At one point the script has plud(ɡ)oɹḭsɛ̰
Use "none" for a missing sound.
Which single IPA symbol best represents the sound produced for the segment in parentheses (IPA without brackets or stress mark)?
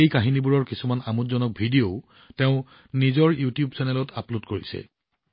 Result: k